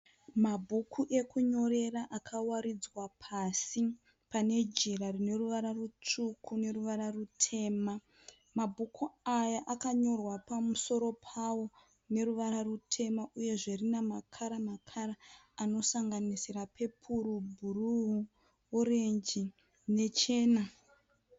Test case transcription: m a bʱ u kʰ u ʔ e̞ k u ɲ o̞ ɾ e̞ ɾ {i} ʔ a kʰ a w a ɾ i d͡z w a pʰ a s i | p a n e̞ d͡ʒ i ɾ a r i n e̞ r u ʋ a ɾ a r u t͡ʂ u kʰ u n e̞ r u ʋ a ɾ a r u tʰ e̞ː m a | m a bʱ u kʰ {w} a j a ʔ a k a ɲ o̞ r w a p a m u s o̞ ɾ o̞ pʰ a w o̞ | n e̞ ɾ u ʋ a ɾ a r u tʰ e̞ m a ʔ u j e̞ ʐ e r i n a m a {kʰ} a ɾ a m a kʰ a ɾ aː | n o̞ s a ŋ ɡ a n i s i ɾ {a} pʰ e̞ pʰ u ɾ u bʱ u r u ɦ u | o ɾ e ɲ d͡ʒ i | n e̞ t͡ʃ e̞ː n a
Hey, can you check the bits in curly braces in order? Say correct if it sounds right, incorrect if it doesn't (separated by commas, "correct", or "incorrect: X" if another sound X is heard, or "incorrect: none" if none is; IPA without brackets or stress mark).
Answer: incorrect: a, incorrect: u, correct, correct